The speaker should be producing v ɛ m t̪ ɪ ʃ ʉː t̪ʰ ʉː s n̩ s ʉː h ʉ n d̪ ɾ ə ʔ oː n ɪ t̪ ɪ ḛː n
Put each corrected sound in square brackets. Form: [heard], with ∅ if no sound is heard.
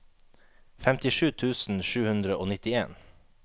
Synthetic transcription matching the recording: [f] ɛ m t̪ ɪ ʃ ʉː t̪ʰ ʉː s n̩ [ʃ] ʉː h ʉ n d̪ ɾ ə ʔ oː n ɪ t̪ ɪ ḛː n

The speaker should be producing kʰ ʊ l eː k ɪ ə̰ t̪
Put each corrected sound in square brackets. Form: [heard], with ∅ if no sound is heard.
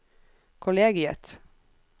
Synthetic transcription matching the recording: kʰ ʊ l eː [ɡ] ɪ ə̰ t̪

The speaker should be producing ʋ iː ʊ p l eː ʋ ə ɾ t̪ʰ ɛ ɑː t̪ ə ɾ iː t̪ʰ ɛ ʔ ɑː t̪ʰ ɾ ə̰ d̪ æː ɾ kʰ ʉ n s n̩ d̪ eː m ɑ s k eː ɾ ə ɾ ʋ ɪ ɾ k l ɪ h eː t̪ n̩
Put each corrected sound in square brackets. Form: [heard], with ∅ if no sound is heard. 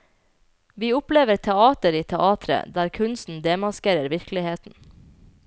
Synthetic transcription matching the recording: ʋ iː ʊ p l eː ʋ ə ɾ t̪ʰ ɛ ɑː t̪ ə ɾ iː t̪ʰ ɛ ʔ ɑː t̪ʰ ɾ ə̰ d̪ æː ɾ kʰ ʉ n s n̩ d̪ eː m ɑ s k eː ɾ ə ɾ ʋ ɪ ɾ k l ɪ h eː t̪ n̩

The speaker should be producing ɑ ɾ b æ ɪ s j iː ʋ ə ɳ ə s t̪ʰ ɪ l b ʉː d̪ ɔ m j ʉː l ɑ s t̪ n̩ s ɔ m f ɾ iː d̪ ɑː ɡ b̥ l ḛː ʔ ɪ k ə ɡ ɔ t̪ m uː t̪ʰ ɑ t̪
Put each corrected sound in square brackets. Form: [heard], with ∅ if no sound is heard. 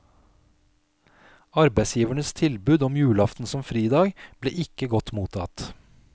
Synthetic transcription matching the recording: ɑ ɾ b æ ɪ s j iː ʋ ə ɳ ə s t̪ʰ ɪ l b ʉː d̪ ɔ m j ʉː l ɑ [f] t̪ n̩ s ɔ m f ɾ iː d̪ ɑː ɡ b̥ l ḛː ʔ ɪ k ə ɡ ɔ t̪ m uː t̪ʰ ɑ t̪

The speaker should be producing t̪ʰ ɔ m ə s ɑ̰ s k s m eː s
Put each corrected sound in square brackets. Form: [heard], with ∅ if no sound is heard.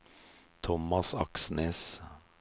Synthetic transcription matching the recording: t̪ʰ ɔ m [ɑ] s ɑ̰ [∅] k s [n] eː s

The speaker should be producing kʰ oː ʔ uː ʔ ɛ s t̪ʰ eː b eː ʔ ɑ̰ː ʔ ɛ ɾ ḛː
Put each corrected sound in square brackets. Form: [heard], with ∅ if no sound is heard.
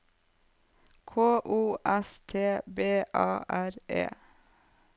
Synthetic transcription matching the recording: kʰ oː ʔ uː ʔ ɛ s t̪ʰ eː b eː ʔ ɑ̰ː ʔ [æ] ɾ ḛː

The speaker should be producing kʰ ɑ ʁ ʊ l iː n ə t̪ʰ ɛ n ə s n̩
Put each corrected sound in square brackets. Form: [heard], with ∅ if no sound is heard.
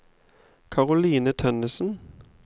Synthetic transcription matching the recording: kʰ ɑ ʁ ʊ l iː n ə t̪ʰ [œ] n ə s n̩

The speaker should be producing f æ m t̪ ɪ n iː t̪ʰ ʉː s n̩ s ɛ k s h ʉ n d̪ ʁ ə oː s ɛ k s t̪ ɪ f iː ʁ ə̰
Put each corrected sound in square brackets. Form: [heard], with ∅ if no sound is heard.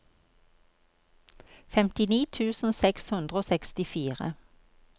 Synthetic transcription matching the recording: f [ɛ] m t̪ ɪ n iː t̪ʰ ʉː s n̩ s ɛ k s h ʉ n d̪ ʁ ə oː s ɛ k s t̪ ɪ f iː ʁ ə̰

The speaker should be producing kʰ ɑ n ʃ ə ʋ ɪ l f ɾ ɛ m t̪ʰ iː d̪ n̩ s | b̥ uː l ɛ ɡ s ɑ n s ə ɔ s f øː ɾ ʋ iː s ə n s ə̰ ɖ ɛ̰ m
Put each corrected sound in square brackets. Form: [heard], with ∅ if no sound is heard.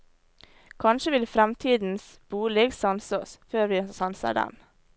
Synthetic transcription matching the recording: kʰ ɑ n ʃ ə ʋ ɪ l f ɾ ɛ m t̪ʰ iː d̪ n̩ s | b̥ uː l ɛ ɡ s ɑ n s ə ɔ s f øː ɾ ʋ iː s [ɑ] n s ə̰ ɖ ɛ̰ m

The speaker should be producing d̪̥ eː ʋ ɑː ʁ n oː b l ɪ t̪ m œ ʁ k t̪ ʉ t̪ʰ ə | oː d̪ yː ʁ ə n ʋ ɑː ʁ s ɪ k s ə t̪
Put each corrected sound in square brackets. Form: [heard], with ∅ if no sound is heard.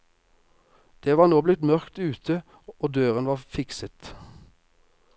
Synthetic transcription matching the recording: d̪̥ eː ʋ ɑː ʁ n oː b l ɪ t̪ m œ ʁ k t̪ [ʉː] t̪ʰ ə | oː d̪ [øː] ʁ ə n ʋ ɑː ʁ [f] ɪ k s ə t̪

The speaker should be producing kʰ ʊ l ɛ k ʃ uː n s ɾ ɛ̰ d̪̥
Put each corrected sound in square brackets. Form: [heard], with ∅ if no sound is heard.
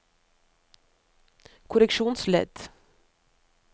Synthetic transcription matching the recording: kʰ ʊ [ɾ] ɛ k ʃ uː n s [l] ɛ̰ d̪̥

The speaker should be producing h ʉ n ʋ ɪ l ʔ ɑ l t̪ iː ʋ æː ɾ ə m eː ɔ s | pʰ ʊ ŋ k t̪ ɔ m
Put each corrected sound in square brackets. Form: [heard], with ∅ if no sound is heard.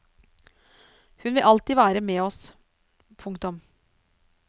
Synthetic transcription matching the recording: h ʉ n ʋ ɪ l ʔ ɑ l t̪ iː ʋ æː ɾ ə m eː ɔ s | pʰ ʊ ŋ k t̪ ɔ m

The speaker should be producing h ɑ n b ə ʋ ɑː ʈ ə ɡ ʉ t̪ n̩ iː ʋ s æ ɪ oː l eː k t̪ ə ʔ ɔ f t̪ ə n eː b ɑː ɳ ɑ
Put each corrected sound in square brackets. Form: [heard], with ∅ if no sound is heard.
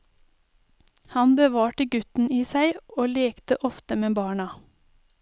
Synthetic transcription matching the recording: h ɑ n b ə ʋ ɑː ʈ ə ɡ ʉ t̪ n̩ iː [∅] s æ ɪ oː l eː k t̪ ə ʔ ɔ f t̪ ə [m] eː b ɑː ɳ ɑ

